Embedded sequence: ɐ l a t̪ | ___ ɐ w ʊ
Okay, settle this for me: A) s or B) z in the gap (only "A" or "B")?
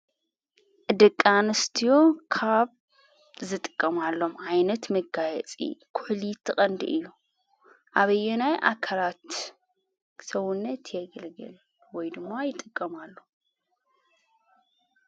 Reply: A